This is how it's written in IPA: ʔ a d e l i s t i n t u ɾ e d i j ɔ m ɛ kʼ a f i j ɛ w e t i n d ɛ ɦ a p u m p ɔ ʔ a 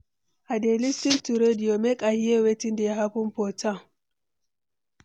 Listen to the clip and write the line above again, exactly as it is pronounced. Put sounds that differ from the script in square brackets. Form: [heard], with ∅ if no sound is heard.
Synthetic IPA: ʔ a d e l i s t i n t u ɾ e d i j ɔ m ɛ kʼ a [h] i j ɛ w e t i n d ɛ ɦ a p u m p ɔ [t] a